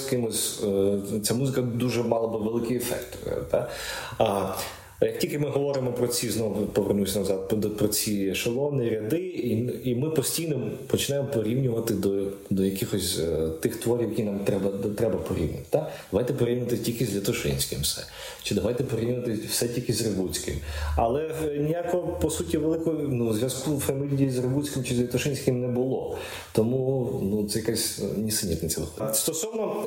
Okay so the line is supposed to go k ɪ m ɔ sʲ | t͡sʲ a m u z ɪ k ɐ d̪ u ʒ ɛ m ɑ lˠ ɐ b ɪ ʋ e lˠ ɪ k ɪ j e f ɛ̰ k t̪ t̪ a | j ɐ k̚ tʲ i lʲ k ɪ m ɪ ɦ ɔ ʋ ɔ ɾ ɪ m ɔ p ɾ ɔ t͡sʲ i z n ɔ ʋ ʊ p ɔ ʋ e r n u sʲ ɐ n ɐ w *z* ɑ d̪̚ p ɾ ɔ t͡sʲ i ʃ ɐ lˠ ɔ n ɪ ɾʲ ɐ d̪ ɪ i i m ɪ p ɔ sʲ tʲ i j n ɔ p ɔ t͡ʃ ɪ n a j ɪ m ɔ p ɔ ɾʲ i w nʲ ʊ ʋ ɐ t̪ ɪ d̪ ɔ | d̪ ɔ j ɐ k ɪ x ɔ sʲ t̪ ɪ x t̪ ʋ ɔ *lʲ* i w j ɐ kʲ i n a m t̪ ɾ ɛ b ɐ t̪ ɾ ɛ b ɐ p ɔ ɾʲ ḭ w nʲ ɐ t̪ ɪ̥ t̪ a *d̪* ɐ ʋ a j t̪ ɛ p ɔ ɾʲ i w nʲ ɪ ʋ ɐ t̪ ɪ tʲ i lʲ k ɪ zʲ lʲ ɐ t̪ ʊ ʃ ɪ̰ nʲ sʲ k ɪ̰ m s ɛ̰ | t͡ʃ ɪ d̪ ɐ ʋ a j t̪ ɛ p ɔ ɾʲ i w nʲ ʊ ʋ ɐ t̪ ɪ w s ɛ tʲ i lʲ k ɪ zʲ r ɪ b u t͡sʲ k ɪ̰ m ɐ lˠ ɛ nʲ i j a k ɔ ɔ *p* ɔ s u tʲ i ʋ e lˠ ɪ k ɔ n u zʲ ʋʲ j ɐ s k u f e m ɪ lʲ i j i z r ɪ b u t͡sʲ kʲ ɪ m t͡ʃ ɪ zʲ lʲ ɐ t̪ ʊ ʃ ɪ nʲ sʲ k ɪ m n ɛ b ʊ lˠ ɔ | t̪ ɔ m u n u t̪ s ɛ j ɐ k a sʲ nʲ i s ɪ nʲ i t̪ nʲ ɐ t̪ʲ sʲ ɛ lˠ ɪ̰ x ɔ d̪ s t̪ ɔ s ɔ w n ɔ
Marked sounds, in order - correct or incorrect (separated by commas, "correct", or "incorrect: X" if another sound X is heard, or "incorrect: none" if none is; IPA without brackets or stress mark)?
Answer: correct, incorrect: ɾʲ, correct, correct